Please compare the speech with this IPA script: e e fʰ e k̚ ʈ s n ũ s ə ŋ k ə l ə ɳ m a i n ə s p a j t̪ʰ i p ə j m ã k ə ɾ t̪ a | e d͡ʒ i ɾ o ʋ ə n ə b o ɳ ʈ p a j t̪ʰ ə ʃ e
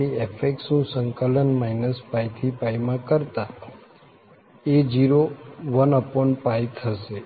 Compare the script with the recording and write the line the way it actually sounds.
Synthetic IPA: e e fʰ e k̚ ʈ s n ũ s ə ŋ k ə l ə n m a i n ə s p a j t̪ʰ i p a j m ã k ə ɾ t̪ a | e d͡ʒ i ɾ o ʋ ə n ə p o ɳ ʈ p a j t̪ʰ ə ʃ e